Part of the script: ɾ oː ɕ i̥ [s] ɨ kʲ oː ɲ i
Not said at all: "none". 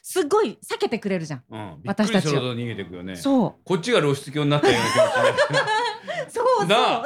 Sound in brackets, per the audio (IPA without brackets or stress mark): t͡s